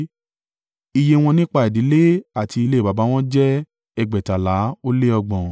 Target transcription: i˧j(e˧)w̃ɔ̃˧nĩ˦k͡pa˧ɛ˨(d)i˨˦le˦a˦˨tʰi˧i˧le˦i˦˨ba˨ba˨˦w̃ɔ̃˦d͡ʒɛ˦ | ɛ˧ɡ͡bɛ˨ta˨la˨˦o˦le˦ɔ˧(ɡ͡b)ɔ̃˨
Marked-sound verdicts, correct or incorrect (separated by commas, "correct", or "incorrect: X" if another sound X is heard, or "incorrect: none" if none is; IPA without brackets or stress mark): correct, correct, correct